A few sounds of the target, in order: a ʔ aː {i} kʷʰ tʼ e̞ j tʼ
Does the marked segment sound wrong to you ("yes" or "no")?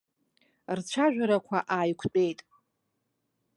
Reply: yes